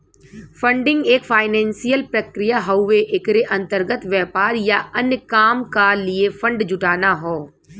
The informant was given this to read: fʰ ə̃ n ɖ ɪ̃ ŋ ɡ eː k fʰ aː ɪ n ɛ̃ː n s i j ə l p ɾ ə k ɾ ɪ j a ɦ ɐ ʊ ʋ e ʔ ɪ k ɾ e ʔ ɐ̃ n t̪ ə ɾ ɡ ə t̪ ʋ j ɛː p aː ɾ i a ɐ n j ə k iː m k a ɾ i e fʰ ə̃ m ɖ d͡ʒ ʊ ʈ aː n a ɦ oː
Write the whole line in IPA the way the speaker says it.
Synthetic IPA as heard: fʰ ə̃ ɳ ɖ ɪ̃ ŋ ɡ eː k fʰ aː ɪ n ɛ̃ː n s i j ə l p ɾ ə k ɾ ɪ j a ɦ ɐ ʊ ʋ e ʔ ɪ k ɾ e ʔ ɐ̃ n t̪ ə ɾ ɡ ə t̪ ʋ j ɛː p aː ɾ j a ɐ n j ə k aː m k a l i e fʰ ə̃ ɳ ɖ d͡ʒ ʊ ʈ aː n a ɦ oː